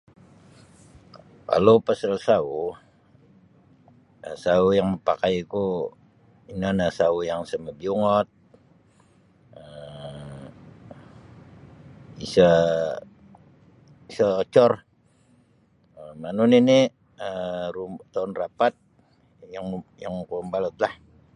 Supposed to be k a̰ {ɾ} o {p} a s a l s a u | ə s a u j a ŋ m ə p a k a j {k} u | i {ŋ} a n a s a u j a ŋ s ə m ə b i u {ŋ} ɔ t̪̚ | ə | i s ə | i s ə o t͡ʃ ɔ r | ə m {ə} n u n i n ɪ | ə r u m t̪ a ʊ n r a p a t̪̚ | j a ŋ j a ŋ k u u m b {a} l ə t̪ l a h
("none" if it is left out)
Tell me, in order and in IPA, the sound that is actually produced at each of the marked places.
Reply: l, p, k, n, ŋ, a, a

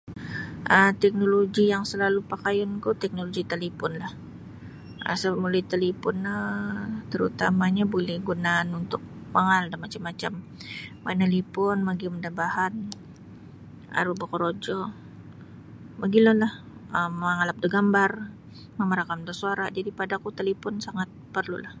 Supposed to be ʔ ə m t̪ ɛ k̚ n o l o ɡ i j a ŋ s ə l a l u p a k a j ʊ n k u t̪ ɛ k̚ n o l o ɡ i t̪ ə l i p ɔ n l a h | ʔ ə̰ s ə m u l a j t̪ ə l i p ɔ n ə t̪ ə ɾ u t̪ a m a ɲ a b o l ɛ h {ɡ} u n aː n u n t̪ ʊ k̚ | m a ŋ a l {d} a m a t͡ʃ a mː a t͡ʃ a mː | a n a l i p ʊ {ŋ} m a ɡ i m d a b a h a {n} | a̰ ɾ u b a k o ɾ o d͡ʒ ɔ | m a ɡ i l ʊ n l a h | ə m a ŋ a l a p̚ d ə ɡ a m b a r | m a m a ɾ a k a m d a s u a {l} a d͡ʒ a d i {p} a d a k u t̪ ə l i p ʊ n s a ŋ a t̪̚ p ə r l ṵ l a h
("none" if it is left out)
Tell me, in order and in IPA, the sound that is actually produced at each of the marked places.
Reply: ɡ, d, n, n, ɾ, p

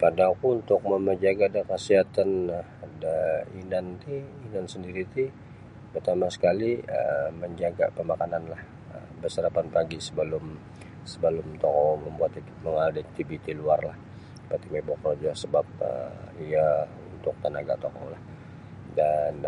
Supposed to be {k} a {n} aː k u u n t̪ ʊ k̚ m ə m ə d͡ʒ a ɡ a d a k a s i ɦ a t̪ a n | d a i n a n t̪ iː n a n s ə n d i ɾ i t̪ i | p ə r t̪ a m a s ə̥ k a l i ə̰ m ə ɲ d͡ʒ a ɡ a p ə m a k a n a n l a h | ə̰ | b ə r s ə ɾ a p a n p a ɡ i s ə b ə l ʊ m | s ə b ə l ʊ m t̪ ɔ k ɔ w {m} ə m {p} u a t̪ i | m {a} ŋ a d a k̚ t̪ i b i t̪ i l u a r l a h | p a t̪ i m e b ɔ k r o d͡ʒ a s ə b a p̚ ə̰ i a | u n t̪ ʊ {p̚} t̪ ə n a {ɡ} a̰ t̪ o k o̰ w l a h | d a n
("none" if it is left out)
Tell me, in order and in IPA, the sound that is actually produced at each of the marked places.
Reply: p, d, m, b, ə, k̚, ɡ

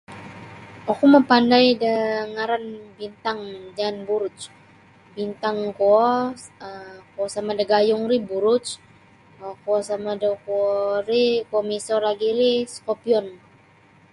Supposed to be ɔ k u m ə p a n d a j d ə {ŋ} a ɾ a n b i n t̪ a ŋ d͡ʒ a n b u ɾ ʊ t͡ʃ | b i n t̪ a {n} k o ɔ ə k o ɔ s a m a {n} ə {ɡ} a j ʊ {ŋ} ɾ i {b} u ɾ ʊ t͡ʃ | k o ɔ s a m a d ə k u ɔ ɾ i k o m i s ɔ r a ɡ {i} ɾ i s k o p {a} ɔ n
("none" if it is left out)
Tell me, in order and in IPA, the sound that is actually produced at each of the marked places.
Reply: ŋ, ŋ, d, ɡ, ŋ, b, i, i

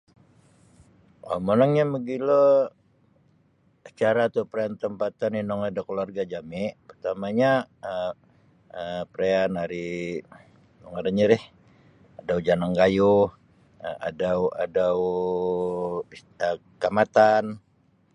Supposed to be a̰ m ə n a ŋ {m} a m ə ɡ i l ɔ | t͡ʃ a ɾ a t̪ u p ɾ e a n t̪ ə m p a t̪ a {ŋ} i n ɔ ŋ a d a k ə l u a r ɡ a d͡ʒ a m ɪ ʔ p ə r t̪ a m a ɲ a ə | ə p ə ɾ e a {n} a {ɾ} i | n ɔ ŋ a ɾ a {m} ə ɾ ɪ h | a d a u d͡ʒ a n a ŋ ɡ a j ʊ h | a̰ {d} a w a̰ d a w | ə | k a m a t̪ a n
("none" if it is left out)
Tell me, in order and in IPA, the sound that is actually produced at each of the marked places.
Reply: ɲ, n, n, ɾ, ɲ, d

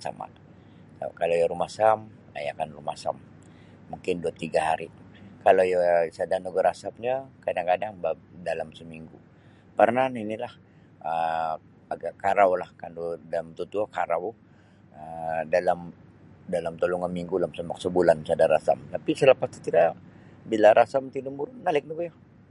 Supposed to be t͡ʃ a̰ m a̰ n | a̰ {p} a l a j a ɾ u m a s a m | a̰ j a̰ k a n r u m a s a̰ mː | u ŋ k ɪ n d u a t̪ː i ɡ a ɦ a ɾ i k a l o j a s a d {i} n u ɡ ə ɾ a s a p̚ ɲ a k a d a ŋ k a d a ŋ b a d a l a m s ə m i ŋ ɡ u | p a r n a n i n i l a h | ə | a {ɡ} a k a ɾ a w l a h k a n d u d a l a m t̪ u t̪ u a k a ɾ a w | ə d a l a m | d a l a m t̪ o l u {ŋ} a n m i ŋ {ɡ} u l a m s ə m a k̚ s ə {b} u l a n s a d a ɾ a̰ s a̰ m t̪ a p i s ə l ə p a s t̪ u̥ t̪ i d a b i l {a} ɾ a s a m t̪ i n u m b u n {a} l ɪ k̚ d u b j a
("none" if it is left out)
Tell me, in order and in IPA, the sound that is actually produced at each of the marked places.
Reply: k, a, ɡ, ŋ, ɡ, b, a, a

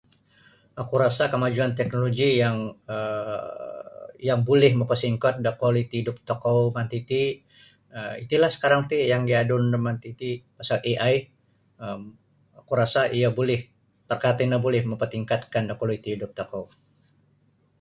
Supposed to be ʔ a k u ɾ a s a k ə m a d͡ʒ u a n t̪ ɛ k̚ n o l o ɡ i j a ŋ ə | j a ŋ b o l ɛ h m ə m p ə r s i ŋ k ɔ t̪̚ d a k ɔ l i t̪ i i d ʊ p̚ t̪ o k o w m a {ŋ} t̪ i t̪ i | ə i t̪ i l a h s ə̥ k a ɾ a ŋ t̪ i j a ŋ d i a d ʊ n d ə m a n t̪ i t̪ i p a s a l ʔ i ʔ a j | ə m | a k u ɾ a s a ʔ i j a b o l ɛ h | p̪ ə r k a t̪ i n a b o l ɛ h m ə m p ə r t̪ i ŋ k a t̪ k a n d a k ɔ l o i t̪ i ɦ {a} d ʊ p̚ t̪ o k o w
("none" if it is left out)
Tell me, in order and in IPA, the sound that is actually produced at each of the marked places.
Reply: n, i

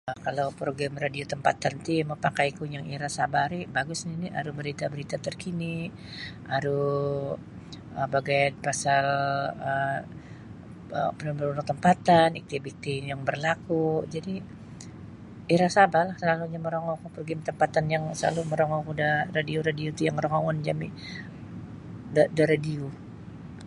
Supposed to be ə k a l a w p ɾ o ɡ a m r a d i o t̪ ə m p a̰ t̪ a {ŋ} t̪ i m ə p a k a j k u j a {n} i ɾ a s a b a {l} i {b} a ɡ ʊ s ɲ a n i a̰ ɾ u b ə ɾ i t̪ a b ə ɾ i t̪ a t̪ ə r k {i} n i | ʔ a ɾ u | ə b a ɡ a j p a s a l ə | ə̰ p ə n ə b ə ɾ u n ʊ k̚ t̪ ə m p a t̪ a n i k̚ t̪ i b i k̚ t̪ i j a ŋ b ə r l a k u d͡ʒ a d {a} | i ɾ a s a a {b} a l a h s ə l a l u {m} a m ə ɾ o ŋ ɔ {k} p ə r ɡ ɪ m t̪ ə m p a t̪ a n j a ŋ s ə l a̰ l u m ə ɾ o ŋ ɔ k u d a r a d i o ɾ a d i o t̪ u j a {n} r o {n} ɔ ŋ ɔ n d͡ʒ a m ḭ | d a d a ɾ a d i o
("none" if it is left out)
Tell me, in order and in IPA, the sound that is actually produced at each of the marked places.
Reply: n, ŋ, ɾ, b, i, i, b, ɲ, k, ŋ, ŋ

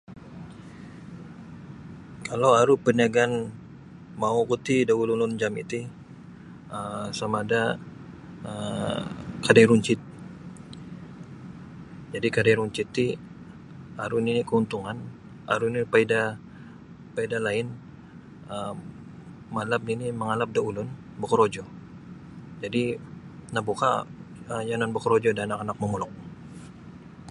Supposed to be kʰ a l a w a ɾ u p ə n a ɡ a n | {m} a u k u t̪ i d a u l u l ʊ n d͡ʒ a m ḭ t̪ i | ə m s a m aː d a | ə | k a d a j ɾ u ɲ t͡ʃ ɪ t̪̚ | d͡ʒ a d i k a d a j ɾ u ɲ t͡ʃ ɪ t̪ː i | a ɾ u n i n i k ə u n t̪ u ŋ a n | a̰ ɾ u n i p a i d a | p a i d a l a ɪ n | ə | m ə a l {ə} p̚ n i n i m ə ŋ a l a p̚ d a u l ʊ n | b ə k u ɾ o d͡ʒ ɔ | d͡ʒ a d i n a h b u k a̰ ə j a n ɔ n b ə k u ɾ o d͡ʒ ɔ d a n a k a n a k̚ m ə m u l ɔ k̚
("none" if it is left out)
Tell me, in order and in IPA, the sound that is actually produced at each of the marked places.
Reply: m, a

